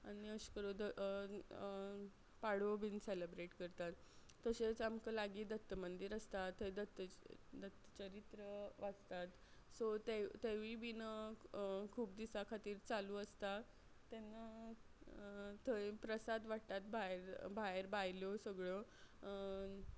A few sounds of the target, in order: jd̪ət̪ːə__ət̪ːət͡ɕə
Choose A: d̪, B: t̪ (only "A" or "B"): A